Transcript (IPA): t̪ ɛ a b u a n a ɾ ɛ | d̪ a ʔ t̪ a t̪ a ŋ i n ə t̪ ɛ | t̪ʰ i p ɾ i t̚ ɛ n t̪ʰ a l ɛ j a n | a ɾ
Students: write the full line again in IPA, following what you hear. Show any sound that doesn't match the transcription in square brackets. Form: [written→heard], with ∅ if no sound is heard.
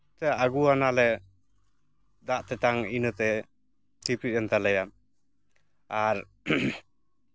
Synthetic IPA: t̪ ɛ a [b→ɡ] u a n a [ɾ→l] ɛ | d̪ a ʔ t̪ [a→ɛ] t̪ a ŋ i n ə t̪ ɛ | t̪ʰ i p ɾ i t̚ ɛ n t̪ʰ a l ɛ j a [n→m] | a ɾ